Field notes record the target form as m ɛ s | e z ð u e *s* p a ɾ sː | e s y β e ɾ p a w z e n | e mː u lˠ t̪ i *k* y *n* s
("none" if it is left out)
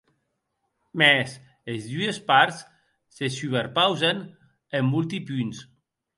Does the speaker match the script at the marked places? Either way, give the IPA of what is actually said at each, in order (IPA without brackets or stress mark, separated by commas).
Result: s, p, n